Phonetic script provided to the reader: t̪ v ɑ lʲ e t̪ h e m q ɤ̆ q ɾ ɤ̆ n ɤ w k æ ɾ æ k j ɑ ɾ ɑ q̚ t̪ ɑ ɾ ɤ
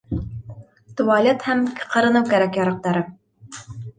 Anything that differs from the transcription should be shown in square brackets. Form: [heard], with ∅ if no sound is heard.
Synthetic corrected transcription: t̪ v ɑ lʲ e t̪ h [æ] m q ɤ̆ [∅] ɾ ɤ̆ n ɤ w k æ ɾ æ k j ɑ ɾ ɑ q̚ t̪ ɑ ɾ ɤ